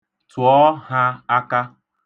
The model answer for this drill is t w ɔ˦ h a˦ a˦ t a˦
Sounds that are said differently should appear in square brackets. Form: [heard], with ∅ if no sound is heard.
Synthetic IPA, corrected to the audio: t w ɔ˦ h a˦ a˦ [k] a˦